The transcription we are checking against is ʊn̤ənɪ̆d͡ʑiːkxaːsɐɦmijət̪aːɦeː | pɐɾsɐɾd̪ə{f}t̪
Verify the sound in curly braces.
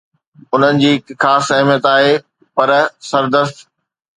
incorrect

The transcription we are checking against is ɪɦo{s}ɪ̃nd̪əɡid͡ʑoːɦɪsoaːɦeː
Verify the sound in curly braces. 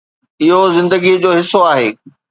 incorrect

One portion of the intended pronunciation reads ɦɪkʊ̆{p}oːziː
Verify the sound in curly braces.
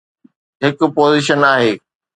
correct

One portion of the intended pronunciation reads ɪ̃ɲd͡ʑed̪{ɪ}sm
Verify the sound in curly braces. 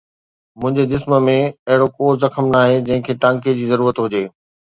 correct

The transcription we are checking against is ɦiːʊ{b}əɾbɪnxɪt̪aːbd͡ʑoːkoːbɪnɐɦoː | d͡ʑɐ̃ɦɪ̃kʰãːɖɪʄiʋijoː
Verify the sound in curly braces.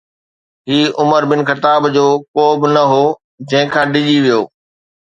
incorrect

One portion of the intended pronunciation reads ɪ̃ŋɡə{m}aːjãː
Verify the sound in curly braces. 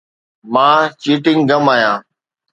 correct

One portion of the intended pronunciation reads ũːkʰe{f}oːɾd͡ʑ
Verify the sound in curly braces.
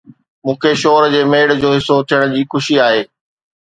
incorrect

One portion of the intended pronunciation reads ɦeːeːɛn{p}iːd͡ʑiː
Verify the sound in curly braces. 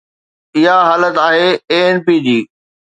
correct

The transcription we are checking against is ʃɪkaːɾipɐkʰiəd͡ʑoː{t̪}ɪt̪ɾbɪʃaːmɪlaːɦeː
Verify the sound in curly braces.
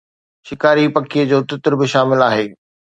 correct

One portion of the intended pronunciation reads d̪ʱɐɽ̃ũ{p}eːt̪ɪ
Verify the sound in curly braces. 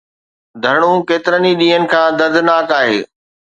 incorrect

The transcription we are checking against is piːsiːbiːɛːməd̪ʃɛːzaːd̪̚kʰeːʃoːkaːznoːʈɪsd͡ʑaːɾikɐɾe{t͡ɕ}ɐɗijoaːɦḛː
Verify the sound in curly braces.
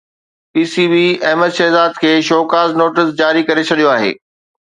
incorrect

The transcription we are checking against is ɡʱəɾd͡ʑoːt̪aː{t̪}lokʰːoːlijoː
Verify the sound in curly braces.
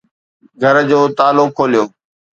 incorrect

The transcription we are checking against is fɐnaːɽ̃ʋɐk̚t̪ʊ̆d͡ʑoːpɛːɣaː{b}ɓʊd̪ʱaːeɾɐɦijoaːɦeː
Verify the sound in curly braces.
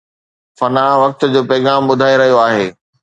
incorrect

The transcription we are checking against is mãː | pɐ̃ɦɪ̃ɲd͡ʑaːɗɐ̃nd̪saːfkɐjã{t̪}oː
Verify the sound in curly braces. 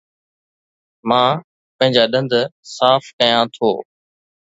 incorrect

